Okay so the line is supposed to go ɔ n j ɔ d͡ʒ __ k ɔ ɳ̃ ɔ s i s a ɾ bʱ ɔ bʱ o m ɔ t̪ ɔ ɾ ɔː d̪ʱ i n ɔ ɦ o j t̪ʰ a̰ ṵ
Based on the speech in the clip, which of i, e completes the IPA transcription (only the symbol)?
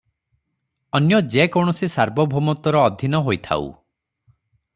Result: e